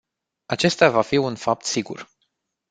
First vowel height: low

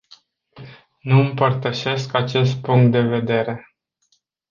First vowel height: high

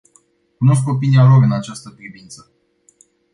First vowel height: high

